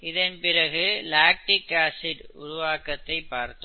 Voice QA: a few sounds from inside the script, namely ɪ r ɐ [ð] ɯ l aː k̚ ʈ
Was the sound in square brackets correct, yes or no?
no